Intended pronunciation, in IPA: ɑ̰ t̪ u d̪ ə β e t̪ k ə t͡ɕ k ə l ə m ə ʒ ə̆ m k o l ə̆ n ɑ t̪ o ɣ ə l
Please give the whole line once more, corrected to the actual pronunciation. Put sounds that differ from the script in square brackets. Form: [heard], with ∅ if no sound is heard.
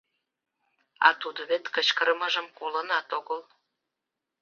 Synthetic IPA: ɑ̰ t̪ u d̪ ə β e t̪ k ə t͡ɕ k ə [ɾ] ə m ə ʒ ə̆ m k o l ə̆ n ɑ t̪ o ɣ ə l